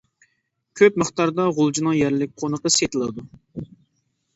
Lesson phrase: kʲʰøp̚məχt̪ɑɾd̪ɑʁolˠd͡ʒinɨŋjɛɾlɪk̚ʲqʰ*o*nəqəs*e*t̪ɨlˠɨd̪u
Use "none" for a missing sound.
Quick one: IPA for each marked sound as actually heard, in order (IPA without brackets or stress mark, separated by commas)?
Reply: o, e